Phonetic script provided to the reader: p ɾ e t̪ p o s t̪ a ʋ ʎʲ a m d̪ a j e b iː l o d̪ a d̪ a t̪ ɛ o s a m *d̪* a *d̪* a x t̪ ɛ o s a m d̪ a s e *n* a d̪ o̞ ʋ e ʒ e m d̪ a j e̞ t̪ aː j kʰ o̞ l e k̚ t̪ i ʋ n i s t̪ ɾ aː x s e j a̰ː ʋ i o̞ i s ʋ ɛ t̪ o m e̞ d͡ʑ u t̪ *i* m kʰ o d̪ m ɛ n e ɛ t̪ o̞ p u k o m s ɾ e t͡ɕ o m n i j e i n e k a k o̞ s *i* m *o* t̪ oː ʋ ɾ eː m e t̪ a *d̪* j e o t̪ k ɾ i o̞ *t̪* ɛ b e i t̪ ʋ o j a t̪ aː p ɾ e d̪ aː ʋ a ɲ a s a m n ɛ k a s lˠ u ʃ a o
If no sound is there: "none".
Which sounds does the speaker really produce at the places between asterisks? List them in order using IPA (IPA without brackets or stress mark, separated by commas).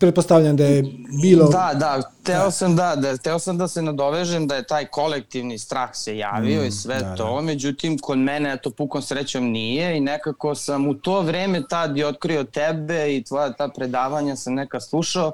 d̪, d̪, n, i, a, u, d̪, t̪